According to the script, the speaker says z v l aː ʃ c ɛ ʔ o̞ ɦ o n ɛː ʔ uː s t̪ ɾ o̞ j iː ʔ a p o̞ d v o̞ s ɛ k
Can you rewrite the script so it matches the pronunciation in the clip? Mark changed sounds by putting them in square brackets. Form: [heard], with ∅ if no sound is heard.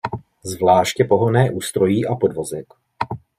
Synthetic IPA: z v l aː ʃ c ɛ [p] o̞ ɦ o n ɛː ʔ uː s t̪ ɾ o̞ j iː ʔ a p o̞ d v o̞ [z] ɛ k